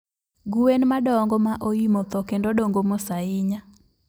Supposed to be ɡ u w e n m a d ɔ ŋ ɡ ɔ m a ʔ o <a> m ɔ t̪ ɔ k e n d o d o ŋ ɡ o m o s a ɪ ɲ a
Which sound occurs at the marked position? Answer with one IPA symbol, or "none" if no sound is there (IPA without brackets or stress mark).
i